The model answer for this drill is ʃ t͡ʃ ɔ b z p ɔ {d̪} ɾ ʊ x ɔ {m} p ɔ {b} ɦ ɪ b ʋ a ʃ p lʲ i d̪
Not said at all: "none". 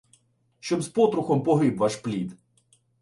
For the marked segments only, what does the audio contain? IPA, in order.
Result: t̪, m, none

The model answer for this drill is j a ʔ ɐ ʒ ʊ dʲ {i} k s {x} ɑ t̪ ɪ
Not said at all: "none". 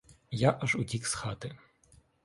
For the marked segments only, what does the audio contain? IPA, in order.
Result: i, x

